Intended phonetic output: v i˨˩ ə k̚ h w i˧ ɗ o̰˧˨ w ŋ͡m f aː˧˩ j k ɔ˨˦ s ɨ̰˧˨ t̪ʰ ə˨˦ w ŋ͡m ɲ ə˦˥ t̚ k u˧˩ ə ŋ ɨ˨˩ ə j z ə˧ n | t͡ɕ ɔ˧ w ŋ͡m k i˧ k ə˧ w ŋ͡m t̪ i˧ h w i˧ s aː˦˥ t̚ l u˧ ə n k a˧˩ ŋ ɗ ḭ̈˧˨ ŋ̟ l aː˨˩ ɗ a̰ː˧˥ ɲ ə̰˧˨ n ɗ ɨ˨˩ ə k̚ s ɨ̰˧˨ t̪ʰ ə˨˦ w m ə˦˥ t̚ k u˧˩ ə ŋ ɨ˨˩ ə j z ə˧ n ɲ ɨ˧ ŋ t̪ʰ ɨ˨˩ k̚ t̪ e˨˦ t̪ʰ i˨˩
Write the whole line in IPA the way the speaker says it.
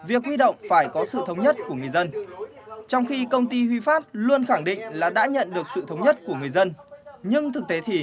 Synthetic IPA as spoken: v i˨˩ ə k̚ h w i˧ ɗ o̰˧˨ w ŋ͡m f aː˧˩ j k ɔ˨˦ s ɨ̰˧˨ t̪ʰ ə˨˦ w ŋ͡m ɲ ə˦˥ t̚ k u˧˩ ə ŋ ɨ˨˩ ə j z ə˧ n | t͡ɕ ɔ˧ w ŋ͡m x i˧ k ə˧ w ŋ͡m t̪ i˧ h w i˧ f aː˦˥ t̚ l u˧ ə n x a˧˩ ŋ ɗ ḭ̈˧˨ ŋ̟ l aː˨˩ ɗ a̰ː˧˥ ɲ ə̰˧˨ n ɗ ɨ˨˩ ə k̚ s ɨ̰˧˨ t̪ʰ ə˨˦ w ɲ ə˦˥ t̚ k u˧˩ ə ŋ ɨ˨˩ ə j z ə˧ n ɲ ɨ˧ ŋ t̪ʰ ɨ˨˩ k̚ t̪ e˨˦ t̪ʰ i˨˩